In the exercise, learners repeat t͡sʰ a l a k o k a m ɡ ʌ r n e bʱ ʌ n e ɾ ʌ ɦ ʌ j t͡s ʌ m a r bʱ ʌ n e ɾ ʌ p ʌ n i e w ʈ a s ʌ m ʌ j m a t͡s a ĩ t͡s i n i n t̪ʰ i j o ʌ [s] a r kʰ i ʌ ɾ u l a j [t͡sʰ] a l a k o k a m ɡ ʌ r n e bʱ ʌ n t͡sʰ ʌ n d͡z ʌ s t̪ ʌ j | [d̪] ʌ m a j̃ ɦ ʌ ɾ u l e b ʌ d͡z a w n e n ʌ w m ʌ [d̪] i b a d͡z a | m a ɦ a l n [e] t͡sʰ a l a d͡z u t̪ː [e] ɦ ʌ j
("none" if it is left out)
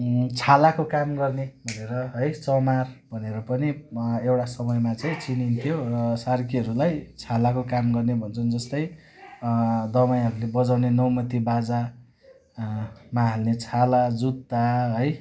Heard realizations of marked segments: s, t͡sʰ, d̪, t̪, e, a

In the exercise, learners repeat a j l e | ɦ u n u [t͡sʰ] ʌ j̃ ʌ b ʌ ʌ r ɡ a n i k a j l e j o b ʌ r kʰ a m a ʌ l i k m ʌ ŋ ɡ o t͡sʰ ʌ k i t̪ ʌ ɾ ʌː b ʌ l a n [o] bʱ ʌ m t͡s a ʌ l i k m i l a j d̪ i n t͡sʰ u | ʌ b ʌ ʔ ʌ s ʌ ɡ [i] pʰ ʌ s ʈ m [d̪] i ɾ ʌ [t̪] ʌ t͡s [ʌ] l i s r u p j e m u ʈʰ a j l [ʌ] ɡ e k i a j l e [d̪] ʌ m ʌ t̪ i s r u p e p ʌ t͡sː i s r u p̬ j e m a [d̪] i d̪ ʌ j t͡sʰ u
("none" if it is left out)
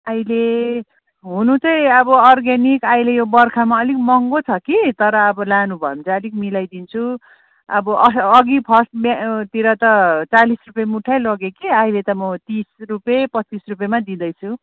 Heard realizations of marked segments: t͡s, u, i, t̪, t̪, a, ʌ, t̪, d̪

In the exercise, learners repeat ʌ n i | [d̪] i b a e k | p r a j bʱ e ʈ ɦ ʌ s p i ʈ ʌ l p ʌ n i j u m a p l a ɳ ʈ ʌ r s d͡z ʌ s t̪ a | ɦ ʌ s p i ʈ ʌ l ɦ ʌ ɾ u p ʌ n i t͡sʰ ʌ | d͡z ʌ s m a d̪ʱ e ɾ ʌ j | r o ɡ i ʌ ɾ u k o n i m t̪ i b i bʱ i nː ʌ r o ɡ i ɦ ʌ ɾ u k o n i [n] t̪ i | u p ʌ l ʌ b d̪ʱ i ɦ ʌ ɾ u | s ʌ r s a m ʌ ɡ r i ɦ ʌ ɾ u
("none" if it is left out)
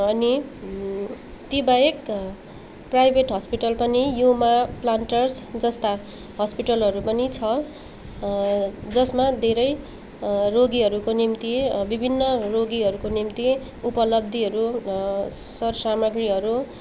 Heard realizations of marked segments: t̪, m

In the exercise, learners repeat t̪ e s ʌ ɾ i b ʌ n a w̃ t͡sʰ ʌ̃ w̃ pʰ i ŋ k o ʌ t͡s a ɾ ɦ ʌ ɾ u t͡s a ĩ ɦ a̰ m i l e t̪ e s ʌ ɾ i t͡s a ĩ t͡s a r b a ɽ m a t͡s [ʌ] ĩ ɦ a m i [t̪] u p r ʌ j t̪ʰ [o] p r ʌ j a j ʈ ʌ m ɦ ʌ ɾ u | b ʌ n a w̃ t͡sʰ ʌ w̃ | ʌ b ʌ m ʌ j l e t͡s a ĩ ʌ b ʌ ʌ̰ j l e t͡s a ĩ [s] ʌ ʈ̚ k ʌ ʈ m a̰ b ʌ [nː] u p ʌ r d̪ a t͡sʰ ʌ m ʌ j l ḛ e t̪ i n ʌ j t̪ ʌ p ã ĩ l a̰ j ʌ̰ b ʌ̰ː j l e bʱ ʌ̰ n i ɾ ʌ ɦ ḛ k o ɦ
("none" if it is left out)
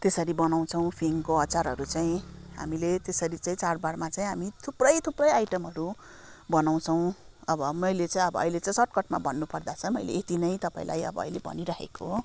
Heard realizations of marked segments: a, t̪ʰ, u, s, nː

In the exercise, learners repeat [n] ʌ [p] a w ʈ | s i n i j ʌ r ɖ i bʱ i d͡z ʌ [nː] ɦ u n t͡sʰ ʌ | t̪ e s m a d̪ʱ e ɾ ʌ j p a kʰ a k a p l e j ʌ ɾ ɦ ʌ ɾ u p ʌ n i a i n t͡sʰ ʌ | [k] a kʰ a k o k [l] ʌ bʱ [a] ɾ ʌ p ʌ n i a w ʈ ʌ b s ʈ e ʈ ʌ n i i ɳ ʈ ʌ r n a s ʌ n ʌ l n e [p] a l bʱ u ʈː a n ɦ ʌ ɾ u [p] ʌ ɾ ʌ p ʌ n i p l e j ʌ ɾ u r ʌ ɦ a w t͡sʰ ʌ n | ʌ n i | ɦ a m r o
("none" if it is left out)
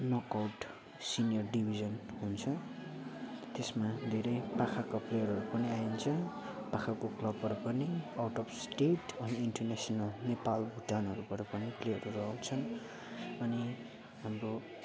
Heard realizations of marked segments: n, k, n, p, l, ʌ, p, p

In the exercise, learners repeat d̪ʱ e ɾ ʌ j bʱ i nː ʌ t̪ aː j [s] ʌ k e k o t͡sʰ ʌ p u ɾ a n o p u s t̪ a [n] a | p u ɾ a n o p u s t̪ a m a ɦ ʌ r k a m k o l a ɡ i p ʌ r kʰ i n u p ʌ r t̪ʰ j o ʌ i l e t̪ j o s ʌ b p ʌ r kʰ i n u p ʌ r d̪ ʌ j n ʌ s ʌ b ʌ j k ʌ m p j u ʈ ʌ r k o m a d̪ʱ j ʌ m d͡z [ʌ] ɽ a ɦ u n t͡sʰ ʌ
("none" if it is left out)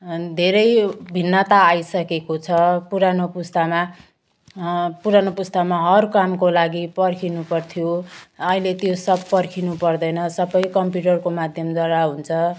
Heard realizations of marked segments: s, m, ʌ

